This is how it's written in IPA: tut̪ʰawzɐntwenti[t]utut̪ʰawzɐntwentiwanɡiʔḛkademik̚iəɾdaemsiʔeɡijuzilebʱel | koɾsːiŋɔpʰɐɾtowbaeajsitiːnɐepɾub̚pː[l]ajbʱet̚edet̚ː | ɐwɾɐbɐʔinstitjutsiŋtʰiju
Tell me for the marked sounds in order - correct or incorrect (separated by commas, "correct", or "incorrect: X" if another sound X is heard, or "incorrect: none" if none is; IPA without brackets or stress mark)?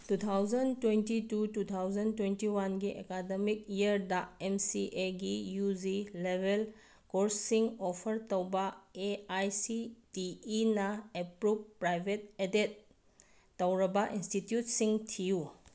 correct, incorrect: ɾ